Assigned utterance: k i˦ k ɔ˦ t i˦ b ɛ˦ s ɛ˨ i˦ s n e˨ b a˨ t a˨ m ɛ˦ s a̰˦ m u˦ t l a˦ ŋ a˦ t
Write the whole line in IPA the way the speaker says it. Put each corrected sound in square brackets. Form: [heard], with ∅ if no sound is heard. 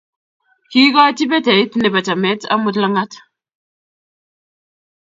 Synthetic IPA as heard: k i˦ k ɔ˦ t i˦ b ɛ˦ [t] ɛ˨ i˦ [t] n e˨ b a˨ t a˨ m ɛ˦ [t] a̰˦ m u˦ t l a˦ ŋ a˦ t